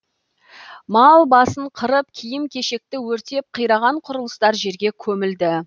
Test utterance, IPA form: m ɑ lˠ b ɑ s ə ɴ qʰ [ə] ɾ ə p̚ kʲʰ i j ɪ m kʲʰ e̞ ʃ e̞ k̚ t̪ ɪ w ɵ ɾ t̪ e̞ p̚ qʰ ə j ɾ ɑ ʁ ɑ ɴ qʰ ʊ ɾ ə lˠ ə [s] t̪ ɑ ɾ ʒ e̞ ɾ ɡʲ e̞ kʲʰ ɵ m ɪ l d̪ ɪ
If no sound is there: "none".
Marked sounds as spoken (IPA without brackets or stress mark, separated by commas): ə, s